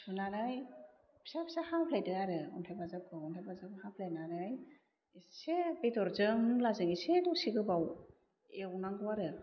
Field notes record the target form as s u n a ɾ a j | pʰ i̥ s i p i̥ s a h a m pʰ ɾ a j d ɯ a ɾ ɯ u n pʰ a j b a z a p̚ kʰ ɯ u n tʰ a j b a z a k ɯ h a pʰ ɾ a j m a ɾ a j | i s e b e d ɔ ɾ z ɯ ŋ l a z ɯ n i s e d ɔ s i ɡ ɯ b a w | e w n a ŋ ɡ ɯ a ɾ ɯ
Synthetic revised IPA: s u n a ɾ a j | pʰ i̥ s a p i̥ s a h a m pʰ l a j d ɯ a ɾ ɯ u n tʰ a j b a z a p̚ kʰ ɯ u n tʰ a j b a z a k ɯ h a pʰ l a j n a ɾ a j | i s e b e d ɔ ɾ z ɯ ŋ l a z ɯ ŋ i s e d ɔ s i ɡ ɯ b a w | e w n a ŋ ɡ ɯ a ɾ ɯ